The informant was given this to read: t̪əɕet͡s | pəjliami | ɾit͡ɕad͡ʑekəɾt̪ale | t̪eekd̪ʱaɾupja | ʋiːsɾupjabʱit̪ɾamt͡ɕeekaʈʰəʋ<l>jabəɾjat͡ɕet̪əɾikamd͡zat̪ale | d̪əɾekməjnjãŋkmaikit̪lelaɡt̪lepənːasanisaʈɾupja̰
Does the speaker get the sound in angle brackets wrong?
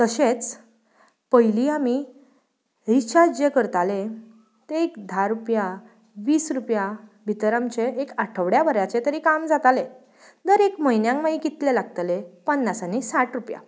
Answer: yes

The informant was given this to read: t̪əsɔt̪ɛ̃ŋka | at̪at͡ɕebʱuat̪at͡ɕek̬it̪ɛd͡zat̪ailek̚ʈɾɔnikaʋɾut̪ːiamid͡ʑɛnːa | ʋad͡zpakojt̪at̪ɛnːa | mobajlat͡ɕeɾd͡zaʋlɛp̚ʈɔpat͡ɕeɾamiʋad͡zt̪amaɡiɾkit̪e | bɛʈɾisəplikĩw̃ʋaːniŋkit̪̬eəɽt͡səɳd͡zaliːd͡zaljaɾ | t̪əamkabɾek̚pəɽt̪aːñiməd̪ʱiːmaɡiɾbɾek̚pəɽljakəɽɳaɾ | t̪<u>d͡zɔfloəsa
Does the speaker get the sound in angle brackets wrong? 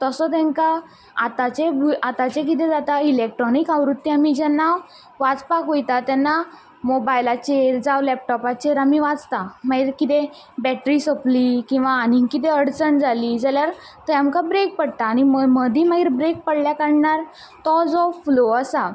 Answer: yes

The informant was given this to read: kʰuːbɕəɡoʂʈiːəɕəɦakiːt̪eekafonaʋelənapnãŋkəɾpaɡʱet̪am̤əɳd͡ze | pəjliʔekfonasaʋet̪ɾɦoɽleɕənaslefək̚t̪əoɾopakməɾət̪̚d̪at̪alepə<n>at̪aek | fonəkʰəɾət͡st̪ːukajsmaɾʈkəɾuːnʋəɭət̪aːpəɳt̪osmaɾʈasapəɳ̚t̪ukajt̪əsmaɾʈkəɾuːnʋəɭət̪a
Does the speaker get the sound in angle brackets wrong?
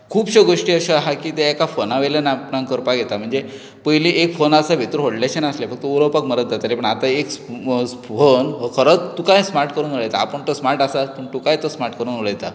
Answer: yes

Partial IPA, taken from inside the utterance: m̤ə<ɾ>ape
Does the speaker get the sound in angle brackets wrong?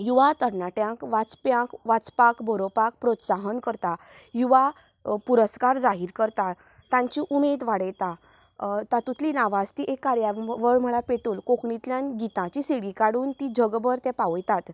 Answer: yes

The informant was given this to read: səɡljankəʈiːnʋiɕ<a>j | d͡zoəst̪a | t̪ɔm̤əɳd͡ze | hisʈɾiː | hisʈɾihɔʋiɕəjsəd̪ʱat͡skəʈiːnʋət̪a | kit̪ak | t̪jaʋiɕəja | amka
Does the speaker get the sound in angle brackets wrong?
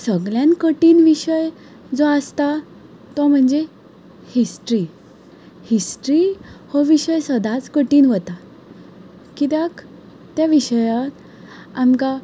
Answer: yes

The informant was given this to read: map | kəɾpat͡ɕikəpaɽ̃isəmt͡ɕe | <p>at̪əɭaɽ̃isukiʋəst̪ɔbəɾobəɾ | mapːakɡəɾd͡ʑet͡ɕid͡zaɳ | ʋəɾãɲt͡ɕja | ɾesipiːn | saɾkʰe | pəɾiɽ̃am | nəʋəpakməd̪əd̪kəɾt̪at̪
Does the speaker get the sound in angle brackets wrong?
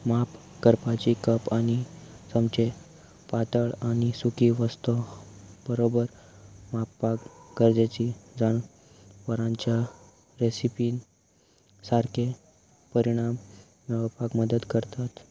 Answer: no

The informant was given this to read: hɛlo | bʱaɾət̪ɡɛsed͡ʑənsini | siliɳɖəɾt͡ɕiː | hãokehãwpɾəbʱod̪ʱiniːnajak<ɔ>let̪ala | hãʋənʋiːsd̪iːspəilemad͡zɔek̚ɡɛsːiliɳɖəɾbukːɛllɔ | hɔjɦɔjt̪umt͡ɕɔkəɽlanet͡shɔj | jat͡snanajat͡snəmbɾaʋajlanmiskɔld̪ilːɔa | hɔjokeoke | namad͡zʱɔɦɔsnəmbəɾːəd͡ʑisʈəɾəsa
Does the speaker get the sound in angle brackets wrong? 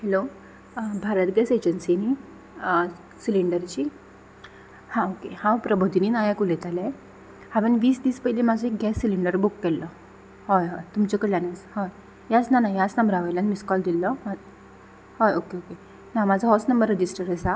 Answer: yes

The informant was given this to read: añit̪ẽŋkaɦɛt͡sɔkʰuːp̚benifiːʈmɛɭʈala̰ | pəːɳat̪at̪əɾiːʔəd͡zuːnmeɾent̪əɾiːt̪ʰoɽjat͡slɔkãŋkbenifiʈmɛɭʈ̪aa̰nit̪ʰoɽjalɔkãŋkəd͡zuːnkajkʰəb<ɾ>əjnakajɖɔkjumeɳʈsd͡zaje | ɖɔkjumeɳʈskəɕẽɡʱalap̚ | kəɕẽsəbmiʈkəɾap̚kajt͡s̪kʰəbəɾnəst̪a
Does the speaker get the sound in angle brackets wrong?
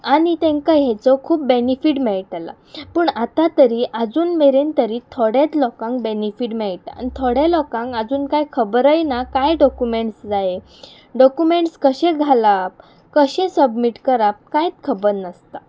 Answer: no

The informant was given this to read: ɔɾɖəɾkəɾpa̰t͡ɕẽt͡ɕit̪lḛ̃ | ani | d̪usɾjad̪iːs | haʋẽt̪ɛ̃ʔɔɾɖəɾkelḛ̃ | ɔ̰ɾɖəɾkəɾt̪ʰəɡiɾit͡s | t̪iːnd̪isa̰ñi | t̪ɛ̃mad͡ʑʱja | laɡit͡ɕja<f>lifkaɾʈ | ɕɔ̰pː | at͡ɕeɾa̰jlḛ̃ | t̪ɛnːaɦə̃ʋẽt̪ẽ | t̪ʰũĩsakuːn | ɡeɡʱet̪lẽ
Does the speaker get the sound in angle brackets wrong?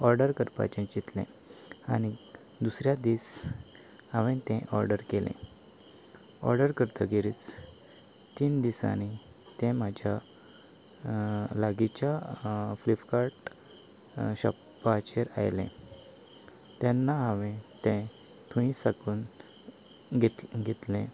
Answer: no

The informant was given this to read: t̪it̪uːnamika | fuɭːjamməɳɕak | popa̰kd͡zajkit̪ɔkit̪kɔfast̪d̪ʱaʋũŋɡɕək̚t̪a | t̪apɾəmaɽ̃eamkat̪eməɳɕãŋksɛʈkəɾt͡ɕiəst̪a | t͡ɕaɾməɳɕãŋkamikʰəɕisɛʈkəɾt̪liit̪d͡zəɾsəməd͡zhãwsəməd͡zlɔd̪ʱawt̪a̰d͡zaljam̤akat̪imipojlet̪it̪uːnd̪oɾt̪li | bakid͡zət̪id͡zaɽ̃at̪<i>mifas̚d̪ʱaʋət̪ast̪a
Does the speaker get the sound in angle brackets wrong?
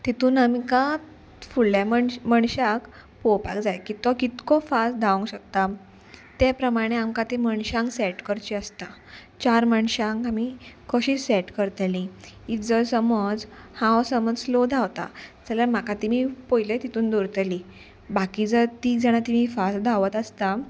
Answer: no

